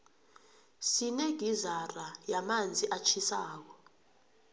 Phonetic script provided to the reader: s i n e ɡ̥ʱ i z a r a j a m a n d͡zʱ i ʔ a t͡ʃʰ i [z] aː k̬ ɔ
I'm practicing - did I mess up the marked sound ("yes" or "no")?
yes